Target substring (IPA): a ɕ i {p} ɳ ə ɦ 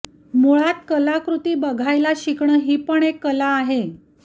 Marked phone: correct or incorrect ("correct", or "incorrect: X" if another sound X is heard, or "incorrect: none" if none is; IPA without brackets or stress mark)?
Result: incorrect: k